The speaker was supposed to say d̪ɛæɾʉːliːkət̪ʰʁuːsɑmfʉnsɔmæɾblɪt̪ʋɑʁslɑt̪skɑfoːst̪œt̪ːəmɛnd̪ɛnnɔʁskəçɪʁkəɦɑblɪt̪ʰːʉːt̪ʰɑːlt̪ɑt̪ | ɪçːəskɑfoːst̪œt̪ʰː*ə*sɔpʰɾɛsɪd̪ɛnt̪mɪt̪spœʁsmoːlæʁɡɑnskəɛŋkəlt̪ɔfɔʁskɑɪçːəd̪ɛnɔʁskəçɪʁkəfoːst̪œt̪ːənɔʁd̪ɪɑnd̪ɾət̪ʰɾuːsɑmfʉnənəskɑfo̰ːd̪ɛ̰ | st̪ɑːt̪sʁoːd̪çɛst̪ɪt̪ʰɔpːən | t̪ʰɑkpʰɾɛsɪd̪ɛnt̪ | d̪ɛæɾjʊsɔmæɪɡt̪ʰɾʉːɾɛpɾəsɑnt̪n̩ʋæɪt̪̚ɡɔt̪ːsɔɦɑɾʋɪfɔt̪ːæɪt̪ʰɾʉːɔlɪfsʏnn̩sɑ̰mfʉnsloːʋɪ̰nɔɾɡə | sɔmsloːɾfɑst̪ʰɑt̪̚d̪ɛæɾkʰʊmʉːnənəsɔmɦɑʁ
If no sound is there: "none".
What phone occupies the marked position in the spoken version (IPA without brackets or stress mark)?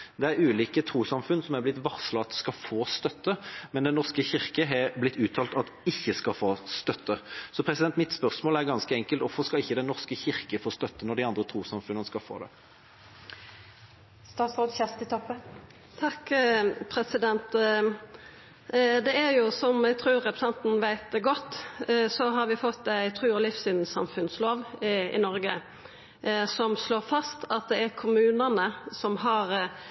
ə